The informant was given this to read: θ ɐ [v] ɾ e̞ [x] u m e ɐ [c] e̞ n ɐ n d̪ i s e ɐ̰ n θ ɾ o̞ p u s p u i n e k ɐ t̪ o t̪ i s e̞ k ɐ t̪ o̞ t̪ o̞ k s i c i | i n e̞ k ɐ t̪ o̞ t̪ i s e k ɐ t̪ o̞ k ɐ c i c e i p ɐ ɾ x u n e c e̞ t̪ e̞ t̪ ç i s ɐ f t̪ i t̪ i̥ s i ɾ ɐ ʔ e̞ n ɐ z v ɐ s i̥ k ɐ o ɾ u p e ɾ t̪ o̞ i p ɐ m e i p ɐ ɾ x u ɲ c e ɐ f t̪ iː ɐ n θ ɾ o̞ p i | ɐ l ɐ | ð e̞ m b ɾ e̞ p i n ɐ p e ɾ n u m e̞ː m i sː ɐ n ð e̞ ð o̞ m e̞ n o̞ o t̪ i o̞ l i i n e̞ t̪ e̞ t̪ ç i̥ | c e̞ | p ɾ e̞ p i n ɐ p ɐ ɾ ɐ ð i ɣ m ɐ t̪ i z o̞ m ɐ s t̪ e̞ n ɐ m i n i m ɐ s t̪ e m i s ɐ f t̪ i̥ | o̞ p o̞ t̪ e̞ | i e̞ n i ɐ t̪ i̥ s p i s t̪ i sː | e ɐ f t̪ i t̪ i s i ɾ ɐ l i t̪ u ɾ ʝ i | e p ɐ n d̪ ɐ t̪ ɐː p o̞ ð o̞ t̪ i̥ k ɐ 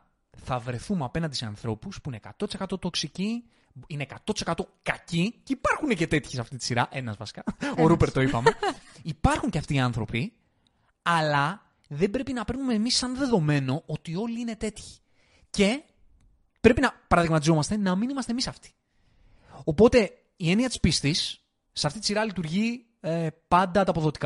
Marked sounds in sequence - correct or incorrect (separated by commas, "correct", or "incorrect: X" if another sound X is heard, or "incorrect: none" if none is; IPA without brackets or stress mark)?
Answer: correct, incorrect: θ, incorrect: p